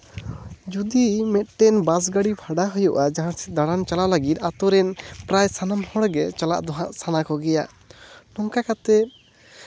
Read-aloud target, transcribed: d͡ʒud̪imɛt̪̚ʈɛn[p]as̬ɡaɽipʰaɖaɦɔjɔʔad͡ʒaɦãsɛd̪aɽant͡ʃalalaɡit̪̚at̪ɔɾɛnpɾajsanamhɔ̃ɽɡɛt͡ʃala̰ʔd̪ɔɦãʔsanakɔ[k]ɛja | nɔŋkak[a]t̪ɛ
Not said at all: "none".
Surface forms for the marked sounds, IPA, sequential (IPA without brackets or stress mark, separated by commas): b, ɡ, a